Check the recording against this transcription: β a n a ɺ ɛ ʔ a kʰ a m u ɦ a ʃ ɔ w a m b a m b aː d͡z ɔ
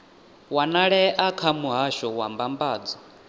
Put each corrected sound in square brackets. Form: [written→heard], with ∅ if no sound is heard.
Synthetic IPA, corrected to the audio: [β→w] a n a ɺ ɛ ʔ a kʰ a m u ɦ a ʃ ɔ w a m b a m b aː d͡z ɔ